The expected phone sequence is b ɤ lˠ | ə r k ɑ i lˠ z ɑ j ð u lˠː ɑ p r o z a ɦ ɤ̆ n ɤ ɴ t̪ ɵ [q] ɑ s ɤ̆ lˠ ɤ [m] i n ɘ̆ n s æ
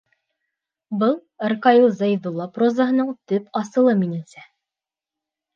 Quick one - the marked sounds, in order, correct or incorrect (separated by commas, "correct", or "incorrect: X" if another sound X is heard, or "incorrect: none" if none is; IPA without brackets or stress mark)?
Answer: incorrect: p, correct